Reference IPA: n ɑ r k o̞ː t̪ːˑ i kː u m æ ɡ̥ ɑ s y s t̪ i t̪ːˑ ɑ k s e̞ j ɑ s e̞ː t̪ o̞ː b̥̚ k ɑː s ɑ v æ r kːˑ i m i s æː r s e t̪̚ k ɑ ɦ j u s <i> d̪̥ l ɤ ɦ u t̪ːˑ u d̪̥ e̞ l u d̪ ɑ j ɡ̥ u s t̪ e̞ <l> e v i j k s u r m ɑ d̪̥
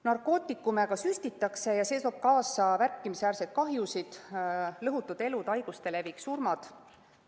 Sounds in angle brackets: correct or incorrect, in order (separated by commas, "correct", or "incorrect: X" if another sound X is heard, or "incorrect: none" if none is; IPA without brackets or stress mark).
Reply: correct, correct